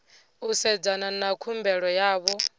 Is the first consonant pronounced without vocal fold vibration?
yes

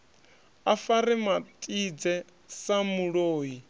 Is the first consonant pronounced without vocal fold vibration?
yes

